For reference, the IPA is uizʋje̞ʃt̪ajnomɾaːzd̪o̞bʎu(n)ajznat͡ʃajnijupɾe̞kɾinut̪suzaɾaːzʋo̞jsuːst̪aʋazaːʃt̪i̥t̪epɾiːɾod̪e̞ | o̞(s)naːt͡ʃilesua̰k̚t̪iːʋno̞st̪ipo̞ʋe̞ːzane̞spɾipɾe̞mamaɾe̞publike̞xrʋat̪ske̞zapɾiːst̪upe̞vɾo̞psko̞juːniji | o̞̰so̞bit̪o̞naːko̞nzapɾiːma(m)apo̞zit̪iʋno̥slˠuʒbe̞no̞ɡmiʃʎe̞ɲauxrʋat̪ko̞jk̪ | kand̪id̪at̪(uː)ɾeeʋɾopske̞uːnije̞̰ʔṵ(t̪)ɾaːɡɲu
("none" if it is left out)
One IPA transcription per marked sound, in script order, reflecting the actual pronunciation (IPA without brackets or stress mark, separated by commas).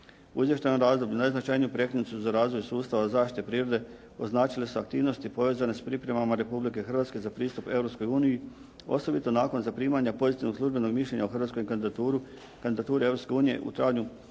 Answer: n, z, ɲ, uː, t̪